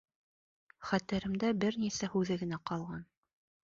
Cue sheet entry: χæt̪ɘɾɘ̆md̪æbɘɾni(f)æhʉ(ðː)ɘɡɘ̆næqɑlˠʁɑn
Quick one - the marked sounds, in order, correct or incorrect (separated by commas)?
incorrect, incorrect